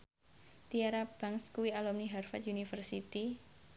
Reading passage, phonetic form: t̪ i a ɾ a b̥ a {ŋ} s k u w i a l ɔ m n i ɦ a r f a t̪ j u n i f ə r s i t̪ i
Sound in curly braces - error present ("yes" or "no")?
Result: no